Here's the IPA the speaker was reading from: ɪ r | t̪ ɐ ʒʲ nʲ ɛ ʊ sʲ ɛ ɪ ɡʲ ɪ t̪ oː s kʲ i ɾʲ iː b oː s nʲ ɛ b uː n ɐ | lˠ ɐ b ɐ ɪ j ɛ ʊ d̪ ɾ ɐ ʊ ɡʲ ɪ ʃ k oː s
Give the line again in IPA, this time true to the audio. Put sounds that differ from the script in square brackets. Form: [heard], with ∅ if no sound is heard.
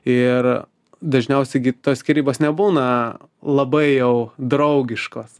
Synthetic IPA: ɪ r | [d̪] ɐ ʒʲ nʲ ɛ ʊ sʲ ɛ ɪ ɡʲ ɪ t̪ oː s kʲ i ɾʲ iː b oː s nʲ ɛ b uː n ɐ | lˠ ɐ b ɐ ɪ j ɛ ʊ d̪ ɾ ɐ ʊ ɡʲ ɪ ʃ k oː s